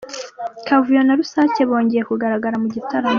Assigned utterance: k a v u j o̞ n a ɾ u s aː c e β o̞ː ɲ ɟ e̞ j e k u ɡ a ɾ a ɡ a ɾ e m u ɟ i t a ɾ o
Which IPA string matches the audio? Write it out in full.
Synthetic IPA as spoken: k a v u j o̞ n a ɾ u s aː c e β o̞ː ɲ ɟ e̞ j e k u ɡ a ɾ a ɡ a ɾ a m u ɟ i t a ɾ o

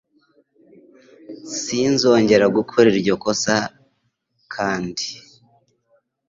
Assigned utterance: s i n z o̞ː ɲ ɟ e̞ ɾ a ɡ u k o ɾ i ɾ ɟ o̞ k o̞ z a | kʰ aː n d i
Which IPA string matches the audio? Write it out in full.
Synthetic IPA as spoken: s i n z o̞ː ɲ ɟ e̞ ɾ a ɡ u kʰ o ɾ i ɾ ɟ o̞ k o̞ s a | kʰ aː n d i

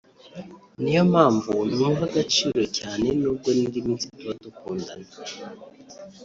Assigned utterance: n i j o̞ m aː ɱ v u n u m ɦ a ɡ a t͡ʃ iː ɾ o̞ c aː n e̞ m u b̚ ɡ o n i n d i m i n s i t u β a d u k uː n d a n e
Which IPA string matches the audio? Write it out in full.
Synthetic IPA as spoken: n i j o̞ m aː ɱ v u n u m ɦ a ɡ a t͡ʃ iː ɾ o̞ c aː n e̞ n u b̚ ɡ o n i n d i m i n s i t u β a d u k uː n d a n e

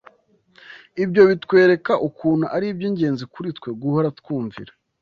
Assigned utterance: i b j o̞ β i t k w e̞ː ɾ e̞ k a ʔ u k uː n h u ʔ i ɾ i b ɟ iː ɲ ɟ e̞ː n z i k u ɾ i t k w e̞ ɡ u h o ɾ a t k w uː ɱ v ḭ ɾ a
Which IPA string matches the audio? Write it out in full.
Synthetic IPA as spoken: i b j o̞ β i t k w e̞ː ɾ e̞ k a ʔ u k uː n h u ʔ a ɾ i b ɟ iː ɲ ɟ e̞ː n z i k u ɾ i t k w e̞ ɡ u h o ɾ a t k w uː ɱ v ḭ ɾ a

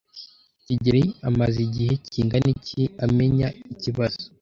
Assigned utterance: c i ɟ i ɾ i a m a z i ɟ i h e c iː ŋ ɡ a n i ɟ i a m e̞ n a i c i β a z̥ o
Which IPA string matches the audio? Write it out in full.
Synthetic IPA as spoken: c i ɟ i ɾ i a m a z i ɟ i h e c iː ŋ ɡ a n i c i a m e̞ ɲ a i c i β a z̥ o

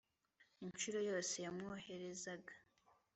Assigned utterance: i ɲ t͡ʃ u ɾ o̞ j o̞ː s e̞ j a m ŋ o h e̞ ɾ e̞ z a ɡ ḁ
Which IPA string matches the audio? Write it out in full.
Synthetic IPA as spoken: i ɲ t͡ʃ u ɾ o̞ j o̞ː s e̞ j a m ŋ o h e̞ ɾ e̞ z a ɡ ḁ

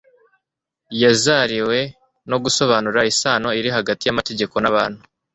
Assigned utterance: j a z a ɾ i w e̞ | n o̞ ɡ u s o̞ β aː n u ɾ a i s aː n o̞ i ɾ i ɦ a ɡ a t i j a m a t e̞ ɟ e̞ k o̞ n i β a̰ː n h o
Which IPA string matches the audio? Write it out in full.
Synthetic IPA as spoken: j a z a ɾ i w e̞ | n o̞ ɡ u s o̞ β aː n u ɾ a i s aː n o̞ i ɾ i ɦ a ɡ a t i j a m a t e̞ ɟ e̞ k o̞ n a β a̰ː n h u

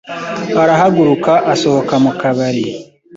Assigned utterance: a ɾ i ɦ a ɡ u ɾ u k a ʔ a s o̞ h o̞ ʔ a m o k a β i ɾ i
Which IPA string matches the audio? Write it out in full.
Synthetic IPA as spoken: a ɾ a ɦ a ɡ u ɾ u k a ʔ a s o̞ h o̞ k a m u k a β a ɾ i

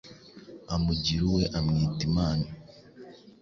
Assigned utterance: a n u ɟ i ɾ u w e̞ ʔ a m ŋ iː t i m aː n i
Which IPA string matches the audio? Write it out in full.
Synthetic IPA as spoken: a m u ɟ i ɾ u w e̞ ʔ a m ŋ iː t i m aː n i

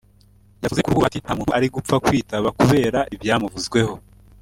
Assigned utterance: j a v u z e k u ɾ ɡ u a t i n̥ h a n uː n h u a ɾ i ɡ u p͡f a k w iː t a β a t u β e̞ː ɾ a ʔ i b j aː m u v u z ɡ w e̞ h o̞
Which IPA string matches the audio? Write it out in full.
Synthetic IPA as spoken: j a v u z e k u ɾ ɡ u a t i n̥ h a m uː n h u a ɾ i ɡ u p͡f a k w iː t a β a k u β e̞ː ɾ a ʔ i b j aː m u v u z ɡ w e̞ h o̞

